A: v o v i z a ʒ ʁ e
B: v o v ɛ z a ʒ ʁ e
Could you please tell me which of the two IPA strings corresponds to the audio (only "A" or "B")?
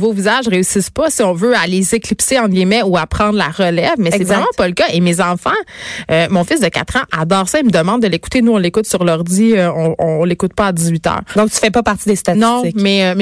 A